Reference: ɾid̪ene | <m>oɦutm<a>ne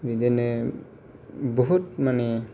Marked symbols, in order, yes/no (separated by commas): no, yes